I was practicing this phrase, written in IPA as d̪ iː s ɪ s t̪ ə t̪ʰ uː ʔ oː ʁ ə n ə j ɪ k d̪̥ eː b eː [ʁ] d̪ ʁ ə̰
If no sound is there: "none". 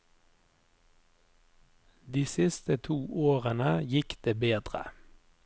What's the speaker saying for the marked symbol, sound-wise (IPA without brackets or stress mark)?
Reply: none